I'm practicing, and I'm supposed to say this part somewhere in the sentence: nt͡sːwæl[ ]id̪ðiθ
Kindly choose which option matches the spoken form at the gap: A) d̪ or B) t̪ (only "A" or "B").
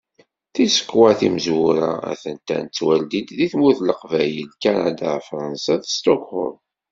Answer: A